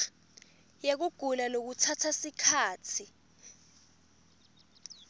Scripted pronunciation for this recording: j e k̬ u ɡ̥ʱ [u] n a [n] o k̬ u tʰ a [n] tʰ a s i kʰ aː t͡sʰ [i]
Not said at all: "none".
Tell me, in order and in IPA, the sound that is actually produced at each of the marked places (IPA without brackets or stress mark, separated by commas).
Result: u, n, none, i